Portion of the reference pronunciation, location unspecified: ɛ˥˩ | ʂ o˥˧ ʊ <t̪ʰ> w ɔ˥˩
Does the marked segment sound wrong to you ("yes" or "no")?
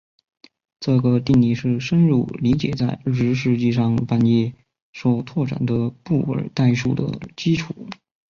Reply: no